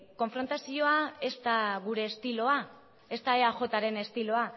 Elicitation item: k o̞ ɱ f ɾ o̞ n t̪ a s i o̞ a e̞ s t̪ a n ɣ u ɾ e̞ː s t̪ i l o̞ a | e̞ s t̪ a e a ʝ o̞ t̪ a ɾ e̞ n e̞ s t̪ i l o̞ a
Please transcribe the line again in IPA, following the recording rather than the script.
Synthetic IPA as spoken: k o̞ ɱ f ɾ o̞ n t̪ a s i o̞ a e̞ s t̪ a ɣ u ɾ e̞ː s t̪ i l o̞ a | e̞ s t̪ a e a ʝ o̞ t̪ a ɾ e̞ n e̞ s t̪ i l o̞ a